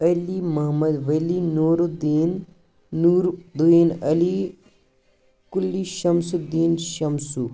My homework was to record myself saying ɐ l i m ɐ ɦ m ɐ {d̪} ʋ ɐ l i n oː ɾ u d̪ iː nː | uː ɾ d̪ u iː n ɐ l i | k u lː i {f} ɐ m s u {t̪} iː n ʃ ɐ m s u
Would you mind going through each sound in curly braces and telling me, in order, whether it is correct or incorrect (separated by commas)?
correct, incorrect, incorrect